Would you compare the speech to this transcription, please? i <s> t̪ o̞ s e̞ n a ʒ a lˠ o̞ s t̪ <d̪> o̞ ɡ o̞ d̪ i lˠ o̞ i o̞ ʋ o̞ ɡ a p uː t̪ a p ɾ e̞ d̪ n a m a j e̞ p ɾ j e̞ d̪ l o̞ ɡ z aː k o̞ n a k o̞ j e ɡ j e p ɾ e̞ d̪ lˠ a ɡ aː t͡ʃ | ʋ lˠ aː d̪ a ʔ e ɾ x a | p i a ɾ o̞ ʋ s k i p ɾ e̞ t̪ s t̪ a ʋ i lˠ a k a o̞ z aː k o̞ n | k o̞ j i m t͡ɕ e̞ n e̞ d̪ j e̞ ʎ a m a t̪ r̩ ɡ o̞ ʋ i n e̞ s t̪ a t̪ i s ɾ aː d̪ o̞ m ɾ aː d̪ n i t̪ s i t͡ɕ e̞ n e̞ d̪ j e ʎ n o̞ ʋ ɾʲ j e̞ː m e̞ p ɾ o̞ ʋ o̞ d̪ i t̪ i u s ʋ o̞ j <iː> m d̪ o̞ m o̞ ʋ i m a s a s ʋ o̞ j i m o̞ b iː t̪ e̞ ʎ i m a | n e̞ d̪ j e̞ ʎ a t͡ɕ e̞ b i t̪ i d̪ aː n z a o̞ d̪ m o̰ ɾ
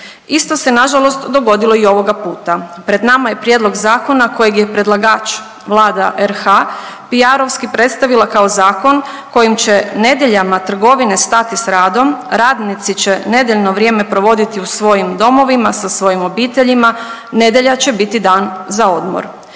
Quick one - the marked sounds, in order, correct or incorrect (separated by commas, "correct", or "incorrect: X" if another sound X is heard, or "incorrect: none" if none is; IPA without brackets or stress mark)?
correct, correct, incorrect: i